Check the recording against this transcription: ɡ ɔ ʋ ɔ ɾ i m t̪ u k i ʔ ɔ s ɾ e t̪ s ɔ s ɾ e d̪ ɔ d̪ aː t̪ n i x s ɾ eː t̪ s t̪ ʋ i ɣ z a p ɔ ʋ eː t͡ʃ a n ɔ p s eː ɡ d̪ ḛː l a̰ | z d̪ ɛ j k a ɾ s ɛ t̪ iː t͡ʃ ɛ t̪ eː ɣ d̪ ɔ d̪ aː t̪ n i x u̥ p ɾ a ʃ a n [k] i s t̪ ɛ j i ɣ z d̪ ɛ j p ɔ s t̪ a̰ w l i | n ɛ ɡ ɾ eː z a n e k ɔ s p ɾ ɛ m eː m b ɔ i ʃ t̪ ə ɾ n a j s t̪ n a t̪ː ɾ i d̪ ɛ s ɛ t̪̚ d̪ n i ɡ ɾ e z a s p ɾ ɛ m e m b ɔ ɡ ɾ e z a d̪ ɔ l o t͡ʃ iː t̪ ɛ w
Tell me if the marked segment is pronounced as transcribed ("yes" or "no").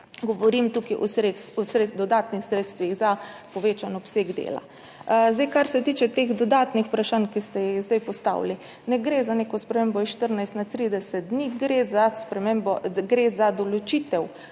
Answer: yes